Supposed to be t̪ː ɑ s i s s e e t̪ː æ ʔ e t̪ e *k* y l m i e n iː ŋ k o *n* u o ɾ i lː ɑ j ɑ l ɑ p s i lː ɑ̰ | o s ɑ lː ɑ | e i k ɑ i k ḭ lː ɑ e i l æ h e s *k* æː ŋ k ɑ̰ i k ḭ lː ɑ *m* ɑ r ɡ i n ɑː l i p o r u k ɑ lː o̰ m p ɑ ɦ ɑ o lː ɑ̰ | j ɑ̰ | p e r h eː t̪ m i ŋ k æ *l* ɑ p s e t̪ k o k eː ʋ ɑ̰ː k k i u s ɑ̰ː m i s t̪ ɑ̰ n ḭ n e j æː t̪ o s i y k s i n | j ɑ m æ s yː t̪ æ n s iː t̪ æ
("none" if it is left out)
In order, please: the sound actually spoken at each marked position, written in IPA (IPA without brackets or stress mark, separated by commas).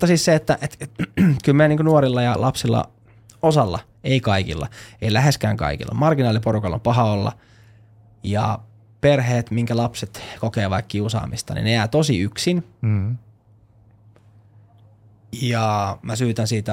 k, n, k, m, l